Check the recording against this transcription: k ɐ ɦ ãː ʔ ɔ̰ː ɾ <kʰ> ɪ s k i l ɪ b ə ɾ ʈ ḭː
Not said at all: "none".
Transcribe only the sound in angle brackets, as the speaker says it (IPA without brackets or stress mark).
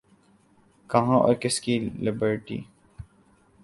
k